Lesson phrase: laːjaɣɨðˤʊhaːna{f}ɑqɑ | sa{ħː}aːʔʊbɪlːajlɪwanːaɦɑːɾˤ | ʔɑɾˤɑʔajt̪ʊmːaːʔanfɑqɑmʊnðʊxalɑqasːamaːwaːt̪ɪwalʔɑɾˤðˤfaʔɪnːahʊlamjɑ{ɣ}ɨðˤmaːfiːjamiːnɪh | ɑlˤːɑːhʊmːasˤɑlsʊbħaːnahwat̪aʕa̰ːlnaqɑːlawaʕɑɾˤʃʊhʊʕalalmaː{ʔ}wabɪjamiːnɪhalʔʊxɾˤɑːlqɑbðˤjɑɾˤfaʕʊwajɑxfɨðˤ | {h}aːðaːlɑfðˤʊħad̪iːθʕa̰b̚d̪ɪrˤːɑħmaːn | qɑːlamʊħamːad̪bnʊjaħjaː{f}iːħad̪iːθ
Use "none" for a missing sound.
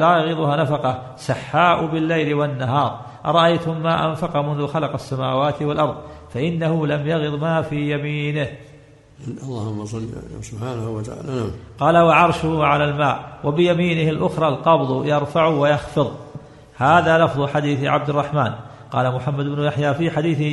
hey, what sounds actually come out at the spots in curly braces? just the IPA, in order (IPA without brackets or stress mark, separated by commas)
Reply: f, ħː, ɣ, ʔ, h, f